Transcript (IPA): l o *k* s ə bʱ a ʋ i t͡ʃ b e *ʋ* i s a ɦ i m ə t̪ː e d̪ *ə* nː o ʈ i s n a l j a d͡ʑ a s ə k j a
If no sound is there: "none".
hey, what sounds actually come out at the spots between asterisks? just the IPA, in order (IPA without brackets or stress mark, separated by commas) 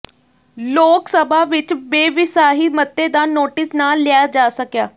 k, ʋ, a